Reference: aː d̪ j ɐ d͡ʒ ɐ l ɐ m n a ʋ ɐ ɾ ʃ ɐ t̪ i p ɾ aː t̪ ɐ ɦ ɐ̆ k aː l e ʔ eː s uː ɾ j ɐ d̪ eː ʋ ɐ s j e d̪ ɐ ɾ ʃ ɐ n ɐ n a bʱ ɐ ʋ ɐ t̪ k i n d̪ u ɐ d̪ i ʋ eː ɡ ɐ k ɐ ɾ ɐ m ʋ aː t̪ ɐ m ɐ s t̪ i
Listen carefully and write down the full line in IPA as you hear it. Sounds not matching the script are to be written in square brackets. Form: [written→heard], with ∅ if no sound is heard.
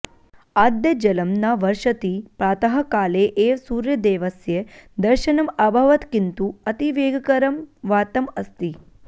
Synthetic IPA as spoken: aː d̪ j ɐ d͡ʒ ɐ l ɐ m n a ʋ ɐ ɾ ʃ ɐ t̪ i p ɾ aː t̪ ɐ ɦ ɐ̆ k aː l e ʔ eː s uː ɾ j ɐ d̪ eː ʋ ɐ s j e d̪ ɐ ɾ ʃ ɐ n ɐ [n→m] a bʱ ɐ ʋ ɐ t̪ k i n [d̪→t̪] u ɐ [d̪→t̪] i ʋ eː ɡ ɐ k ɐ ɾ ɐ m ʋ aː t̪ ɐ m ɐ s t̪ i